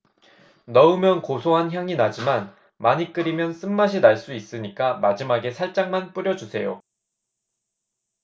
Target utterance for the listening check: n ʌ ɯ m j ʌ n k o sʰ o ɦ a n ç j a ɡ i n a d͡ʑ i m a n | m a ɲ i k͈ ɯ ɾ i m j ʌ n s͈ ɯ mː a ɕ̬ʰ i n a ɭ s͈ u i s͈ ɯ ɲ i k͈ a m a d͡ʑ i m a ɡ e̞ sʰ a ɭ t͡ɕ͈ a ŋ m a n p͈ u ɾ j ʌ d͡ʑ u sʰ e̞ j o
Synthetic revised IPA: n ʌ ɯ m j ʌ n k o sʰ o ɦ a n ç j a ŋ i n a d͡ʑ i m a n | m a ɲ i k͈ ɯ ɾ i m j ʌ n s͈ ɯ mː a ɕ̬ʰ i n a ɭ s͈ u i s͈ ɯ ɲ i k͈ a m a d͡ʑ i m a ɡ e̞ sʰ a ɭ t͡ɕ͈ a ŋ m a n p͈ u ɾ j ʌ d͡ʑ u sʰ e̞ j o